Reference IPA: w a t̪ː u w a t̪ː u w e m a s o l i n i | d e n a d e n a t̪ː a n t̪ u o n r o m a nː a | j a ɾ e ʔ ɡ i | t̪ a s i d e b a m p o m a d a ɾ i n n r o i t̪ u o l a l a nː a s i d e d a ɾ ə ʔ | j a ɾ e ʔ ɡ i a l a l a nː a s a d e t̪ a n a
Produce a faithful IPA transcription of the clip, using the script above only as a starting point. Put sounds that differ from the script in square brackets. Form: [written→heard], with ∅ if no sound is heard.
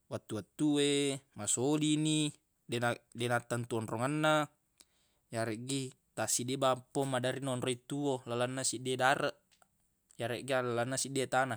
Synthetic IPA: w a t̪ː u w a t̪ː u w e m a s o l i n i | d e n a d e n a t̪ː a n t̪ u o n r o [m→ŋ] a nː a | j a ɾ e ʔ ɡ i | t̪ a s i d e b a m p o m a d a ɾ i n n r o i t̪ u o l a l a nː a s i d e d a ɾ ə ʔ | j a ɾ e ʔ ɡ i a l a l a nː a s [a→i] d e t̪ a n a